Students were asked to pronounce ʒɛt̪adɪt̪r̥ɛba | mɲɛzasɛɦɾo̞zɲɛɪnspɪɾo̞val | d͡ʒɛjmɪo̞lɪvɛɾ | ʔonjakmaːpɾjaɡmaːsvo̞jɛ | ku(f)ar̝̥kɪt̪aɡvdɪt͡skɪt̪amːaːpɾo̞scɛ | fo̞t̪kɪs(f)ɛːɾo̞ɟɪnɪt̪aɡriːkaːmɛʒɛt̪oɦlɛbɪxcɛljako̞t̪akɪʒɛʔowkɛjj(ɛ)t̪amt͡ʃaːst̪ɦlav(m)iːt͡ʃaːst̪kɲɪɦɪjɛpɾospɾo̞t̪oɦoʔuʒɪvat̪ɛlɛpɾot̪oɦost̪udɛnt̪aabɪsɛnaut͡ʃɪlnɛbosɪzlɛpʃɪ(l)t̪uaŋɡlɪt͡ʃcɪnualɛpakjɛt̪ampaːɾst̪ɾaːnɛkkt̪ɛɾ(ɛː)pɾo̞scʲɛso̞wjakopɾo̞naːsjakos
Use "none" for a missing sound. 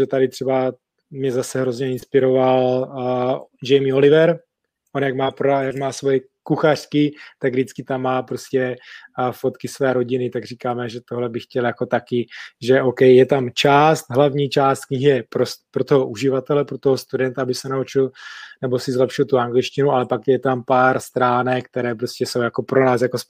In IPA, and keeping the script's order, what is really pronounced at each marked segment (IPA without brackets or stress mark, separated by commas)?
x, v, ɛ, ɲ, l, ɛː